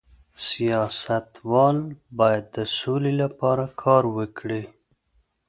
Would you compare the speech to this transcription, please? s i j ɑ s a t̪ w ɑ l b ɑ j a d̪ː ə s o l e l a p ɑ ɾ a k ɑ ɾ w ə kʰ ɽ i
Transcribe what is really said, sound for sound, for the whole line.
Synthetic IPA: s i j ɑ s a t̪ w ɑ l b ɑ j a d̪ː ə s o l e l a p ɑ ɾ a kʰ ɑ ɾ w ə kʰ ɽ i